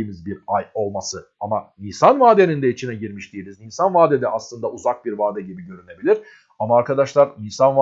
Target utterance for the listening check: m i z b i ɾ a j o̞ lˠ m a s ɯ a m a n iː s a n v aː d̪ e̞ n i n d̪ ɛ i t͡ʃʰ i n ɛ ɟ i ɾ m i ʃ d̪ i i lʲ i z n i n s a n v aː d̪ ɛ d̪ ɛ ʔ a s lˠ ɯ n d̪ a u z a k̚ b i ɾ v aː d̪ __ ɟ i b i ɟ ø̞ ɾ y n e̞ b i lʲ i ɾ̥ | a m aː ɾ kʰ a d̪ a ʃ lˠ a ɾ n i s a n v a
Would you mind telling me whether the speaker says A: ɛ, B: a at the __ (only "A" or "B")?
A